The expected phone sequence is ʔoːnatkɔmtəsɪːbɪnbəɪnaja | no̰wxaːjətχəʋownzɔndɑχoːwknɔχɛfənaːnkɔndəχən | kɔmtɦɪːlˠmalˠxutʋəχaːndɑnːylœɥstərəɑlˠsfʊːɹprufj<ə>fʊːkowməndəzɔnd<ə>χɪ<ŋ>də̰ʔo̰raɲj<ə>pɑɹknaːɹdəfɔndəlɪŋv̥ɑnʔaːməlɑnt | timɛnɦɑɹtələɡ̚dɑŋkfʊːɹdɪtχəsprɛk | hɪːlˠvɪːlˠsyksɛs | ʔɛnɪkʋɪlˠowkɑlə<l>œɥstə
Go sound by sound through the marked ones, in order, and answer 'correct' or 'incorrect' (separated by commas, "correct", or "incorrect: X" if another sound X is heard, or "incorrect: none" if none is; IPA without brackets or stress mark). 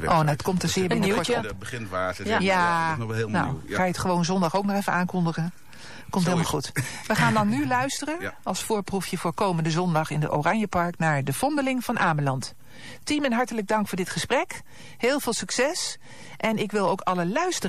correct, incorrect: ɑ, incorrect: n, correct, correct